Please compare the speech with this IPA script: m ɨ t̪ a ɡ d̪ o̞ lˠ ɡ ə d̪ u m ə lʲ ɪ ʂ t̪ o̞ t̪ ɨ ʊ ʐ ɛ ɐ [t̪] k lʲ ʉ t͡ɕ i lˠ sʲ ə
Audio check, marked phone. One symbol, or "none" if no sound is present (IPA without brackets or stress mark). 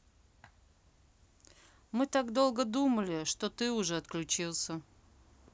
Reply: t̪